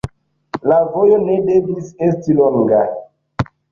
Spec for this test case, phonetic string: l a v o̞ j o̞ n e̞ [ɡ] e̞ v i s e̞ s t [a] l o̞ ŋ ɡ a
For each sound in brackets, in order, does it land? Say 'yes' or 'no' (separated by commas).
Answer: no, no